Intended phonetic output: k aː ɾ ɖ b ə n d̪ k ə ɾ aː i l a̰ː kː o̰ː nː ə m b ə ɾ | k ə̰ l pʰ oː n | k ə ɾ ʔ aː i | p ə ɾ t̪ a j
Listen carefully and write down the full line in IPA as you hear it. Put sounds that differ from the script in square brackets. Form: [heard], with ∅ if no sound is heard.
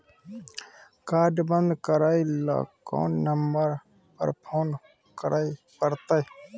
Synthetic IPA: k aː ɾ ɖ b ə n d̪ k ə ɾ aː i l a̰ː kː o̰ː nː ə m b ə ɾ | [p] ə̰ [ɾ] pʰ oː n | k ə ɾ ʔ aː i | p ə ɾ t̪ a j